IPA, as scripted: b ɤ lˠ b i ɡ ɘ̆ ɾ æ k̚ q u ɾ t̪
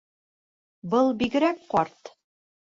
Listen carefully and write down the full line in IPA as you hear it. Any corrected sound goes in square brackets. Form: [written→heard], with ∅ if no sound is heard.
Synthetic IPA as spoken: b ɤ lˠ b i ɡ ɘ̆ ɾ æ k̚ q [u→ɒ] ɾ t̪